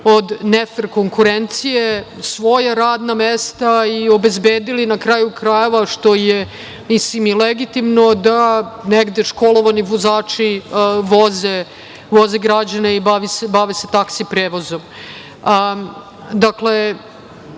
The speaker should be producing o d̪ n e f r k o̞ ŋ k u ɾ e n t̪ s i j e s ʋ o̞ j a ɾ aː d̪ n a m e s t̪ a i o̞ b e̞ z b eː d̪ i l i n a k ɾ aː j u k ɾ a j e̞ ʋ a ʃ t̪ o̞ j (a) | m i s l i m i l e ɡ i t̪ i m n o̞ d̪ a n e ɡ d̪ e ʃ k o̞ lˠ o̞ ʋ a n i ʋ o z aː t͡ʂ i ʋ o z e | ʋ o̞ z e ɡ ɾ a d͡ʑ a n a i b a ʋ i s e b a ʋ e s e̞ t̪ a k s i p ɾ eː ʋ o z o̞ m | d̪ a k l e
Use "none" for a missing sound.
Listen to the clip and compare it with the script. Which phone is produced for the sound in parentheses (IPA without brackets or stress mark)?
e